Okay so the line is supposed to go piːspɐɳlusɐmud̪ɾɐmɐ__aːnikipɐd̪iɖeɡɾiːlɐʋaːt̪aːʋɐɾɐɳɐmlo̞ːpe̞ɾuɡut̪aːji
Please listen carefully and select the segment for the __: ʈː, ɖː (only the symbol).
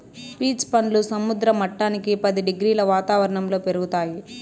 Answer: ʈː